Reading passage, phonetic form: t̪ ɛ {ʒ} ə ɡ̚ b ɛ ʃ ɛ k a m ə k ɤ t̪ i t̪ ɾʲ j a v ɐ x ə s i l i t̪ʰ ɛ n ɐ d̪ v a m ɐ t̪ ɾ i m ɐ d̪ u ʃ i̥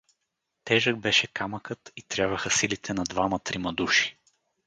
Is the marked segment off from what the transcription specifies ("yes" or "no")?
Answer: no